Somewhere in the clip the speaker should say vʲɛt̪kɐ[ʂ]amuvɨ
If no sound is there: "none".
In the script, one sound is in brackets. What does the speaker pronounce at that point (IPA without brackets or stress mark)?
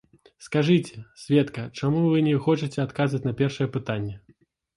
t͡ʂ